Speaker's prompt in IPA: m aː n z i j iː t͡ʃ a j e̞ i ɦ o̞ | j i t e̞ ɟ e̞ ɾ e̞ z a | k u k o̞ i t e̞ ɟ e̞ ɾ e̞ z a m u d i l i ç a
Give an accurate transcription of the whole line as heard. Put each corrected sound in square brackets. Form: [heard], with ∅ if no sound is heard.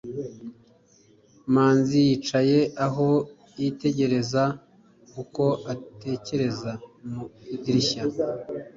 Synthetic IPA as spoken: m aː n z i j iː t͡ʃ a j e̞ [a] ɦ o̞ | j i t e̞ ɟ e̞ ɾ e̞ z a | k u k o̞ [a] t e̞ [c] e̞ ɾ e̞ z a m u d i [ɾ] i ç a